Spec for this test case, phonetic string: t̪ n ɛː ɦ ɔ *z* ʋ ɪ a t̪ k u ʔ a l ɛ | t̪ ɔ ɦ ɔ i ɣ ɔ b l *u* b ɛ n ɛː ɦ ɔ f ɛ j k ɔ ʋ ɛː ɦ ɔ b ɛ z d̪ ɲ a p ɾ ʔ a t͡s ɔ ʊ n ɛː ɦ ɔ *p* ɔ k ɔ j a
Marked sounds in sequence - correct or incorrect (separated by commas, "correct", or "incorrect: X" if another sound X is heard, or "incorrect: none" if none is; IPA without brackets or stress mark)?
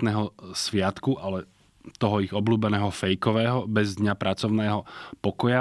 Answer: incorrect: s, incorrect: uː, correct